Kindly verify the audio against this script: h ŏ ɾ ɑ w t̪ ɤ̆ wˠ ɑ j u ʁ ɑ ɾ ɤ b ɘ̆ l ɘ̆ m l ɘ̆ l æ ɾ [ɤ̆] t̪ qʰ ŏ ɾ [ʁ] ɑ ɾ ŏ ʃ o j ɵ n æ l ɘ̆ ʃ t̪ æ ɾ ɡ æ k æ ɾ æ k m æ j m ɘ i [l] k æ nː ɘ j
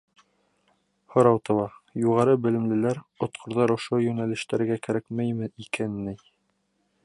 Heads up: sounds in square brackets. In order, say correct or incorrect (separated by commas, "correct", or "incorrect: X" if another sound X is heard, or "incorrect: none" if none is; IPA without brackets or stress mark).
incorrect: ŏ, incorrect: ð, incorrect: none